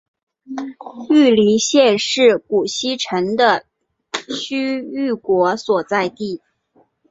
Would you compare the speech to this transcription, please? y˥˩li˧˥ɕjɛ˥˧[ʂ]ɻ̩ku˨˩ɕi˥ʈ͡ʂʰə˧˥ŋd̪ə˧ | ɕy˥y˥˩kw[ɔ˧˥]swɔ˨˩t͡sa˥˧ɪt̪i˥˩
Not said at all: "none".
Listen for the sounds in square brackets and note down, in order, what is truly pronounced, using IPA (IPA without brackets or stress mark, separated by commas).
ʂ, ɔ˧˥